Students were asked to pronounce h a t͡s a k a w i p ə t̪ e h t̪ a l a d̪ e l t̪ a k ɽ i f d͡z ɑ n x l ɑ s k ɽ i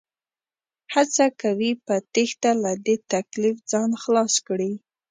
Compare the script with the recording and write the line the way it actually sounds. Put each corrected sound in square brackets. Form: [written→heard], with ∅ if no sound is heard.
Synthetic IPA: h a t͡s a k a w i p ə t̪ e [h→x] t̪ a l a d̪ e [l→∅] t̪ a k [ɽ→l] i f d͡z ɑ n x l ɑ s k ɽ i

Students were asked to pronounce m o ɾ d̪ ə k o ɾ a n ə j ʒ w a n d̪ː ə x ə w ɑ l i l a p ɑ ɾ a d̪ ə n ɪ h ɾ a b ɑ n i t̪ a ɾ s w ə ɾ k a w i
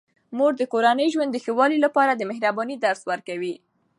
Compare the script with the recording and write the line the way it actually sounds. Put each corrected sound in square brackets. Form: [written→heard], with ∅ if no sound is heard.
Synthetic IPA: m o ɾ d̪ ə k o ɾ a n ə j ʒ w a n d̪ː ə x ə w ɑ l i l a p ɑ ɾ a d̪ ə [n→m] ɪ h ɾ a b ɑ n i [t̪→d̪] a ɾ s w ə ɾ k a w i

